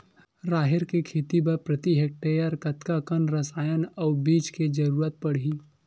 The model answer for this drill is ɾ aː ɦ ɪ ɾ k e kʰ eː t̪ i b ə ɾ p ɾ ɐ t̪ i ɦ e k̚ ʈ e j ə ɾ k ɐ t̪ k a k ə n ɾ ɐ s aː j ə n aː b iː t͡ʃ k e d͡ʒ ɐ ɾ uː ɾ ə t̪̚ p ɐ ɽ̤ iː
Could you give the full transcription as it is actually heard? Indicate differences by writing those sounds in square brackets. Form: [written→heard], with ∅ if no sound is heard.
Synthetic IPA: ɾ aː ɦ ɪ ɾ k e kʰ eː t̪ i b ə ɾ p ɾ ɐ t̪ i ɦ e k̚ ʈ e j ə ɾ k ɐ t̪ k a k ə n ɾ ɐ s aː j ə n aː b iː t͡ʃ k e d͡ʒ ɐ ɾ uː ɾ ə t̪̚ p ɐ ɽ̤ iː